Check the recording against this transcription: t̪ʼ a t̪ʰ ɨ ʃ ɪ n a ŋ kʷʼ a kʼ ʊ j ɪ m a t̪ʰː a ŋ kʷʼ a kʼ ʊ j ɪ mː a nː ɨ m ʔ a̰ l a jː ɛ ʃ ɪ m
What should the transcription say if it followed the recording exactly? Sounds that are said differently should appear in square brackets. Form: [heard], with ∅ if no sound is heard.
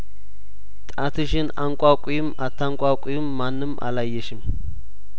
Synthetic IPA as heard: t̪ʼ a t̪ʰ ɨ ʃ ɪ n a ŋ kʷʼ a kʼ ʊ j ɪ m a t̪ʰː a ŋ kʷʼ a kʼ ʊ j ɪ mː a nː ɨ m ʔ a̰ l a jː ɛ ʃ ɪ m